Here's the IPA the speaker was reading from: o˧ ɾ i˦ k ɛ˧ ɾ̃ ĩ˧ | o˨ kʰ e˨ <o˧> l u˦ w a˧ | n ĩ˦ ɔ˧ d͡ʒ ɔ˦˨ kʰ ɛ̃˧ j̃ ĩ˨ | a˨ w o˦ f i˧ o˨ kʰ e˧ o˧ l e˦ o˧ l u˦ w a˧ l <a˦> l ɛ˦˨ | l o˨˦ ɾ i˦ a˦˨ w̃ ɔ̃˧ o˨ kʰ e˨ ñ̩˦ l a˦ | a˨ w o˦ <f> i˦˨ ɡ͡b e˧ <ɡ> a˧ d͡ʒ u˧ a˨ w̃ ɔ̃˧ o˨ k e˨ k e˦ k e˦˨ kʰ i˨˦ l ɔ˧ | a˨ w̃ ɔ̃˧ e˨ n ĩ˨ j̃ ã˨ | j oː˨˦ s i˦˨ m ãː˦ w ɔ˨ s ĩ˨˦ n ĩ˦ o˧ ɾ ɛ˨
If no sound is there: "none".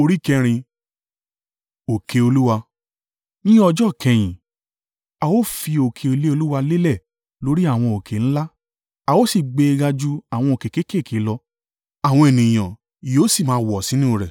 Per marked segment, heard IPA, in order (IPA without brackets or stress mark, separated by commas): o˧, e˦, s, ɡ